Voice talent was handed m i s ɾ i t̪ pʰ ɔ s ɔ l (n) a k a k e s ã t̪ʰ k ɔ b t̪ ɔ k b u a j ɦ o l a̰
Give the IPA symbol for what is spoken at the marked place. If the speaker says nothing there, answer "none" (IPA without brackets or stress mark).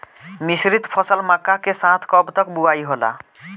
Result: m